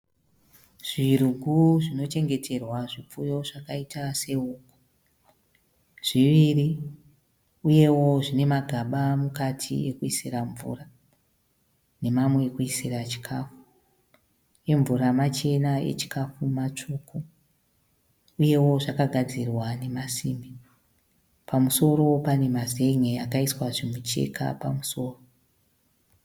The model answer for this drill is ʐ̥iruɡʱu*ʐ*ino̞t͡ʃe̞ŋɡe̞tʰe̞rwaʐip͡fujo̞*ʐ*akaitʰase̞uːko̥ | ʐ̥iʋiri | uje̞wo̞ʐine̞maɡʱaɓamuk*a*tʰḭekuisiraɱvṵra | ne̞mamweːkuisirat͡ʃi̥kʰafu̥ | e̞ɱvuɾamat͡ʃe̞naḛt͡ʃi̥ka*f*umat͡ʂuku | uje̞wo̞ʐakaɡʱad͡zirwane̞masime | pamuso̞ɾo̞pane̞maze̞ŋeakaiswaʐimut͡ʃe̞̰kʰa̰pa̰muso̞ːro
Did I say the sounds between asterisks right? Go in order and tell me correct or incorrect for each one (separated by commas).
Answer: correct, correct, correct, correct